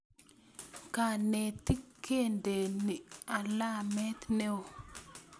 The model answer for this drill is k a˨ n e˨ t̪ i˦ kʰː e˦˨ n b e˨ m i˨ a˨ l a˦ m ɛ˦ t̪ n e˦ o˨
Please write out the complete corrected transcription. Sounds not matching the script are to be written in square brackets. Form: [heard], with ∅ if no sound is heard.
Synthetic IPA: k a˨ n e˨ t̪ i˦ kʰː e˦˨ n [d] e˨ [n] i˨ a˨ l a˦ m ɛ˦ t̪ n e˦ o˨